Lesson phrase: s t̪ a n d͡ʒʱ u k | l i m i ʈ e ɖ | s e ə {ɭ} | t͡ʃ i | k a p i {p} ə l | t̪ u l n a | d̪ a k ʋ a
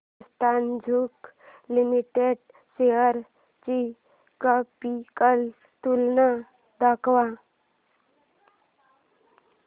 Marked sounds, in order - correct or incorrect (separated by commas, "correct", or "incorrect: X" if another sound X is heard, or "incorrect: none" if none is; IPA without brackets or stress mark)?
incorrect: ɾ, incorrect: k